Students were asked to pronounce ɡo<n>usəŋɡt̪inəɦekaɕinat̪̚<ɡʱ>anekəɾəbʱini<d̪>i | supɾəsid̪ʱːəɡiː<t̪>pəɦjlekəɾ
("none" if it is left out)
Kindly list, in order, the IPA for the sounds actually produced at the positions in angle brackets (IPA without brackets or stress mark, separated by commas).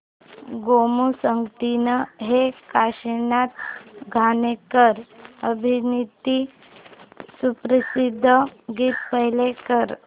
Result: m, ɡʱ, t̪, t̪